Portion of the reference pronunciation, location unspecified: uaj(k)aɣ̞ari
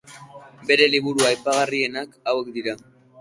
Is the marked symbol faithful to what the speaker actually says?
no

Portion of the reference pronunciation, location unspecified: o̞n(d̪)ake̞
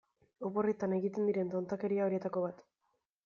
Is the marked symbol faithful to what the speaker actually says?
no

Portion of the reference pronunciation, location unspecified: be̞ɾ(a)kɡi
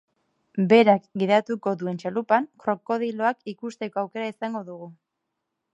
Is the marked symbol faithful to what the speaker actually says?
yes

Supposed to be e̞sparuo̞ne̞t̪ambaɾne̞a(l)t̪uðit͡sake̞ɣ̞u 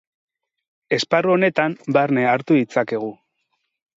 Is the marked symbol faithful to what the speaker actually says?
no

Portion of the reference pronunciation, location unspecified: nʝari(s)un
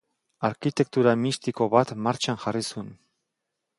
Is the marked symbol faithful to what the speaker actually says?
yes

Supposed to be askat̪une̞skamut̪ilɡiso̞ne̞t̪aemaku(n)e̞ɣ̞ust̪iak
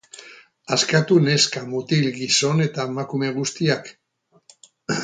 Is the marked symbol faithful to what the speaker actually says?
no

